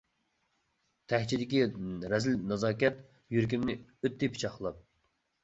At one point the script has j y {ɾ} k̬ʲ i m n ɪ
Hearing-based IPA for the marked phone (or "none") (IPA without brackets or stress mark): ɾ